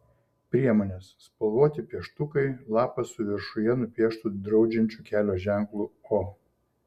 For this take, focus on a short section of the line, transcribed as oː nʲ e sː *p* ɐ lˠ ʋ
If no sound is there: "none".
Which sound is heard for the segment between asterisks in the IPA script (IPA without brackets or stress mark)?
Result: p